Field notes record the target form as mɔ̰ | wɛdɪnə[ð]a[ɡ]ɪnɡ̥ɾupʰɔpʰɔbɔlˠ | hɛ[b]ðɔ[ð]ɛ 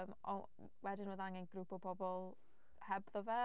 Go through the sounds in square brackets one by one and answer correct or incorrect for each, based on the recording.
correct, incorrect, correct, incorrect

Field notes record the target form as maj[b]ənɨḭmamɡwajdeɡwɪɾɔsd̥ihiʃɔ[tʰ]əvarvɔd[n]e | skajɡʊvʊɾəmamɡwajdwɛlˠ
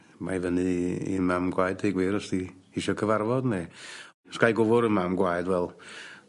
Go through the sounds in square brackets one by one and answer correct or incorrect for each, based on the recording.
incorrect, incorrect, correct

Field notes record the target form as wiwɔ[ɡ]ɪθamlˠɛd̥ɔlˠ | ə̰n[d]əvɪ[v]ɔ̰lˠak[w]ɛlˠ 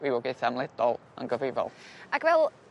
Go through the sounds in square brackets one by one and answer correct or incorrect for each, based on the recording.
correct, incorrect, correct, incorrect

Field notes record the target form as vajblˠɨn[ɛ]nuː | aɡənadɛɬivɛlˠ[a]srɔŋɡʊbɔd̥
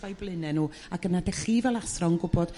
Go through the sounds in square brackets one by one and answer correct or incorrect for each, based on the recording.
correct, correct

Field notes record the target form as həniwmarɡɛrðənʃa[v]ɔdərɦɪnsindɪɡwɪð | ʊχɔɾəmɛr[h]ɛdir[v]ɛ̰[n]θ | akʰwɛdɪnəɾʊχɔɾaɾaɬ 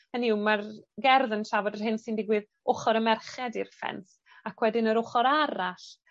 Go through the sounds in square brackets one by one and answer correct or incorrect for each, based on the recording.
correct, incorrect, incorrect, correct

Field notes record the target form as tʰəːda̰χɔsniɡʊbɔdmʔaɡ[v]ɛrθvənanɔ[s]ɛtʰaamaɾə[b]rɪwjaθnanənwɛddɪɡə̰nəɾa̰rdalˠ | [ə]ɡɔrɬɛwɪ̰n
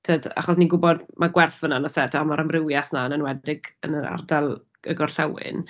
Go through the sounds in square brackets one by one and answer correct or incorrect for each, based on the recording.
incorrect, correct, incorrect, correct

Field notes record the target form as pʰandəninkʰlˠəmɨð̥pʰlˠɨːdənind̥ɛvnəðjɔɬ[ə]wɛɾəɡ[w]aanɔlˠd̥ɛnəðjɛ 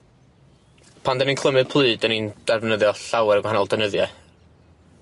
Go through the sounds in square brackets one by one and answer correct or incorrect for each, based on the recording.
incorrect, correct

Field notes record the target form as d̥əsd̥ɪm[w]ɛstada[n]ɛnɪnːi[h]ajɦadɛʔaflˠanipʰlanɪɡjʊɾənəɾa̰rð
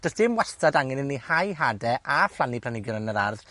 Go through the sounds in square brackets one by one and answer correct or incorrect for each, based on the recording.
correct, incorrect, correct

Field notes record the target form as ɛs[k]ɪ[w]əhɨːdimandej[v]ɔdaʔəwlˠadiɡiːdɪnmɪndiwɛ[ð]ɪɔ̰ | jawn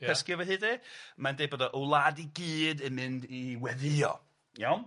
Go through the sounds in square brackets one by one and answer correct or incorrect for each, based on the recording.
correct, incorrect, incorrect, correct

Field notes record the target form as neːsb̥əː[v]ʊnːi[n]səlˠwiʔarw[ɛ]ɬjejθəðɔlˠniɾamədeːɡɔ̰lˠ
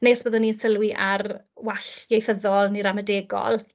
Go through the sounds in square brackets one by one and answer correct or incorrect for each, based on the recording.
incorrect, correct, incorrect

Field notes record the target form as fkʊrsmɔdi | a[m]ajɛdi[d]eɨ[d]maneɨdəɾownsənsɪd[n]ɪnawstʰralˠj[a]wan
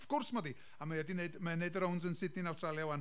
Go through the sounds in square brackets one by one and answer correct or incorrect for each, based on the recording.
correct, incorrect, correct, correct, correct

